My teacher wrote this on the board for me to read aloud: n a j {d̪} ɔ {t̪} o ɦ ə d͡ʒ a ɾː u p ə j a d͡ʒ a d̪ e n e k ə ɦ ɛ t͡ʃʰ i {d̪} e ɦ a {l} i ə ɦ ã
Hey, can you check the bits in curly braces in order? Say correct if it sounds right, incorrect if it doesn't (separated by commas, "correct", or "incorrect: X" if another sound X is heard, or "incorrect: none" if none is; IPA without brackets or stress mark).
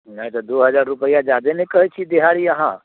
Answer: incorrect: t̪, incorrect: d̪, correct, incorrect: ɾ